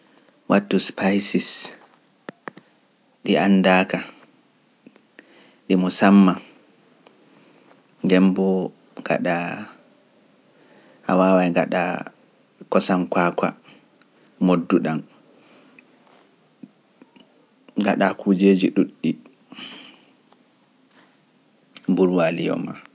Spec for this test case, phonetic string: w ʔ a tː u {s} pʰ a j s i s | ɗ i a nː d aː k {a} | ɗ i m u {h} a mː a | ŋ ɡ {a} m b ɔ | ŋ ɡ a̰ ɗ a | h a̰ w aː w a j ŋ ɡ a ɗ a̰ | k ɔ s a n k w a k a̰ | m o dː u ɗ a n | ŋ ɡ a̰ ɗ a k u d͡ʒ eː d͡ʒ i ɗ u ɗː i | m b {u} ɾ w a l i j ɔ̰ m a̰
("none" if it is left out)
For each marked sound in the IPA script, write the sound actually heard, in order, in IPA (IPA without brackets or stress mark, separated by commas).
s, a, s, ɛ, u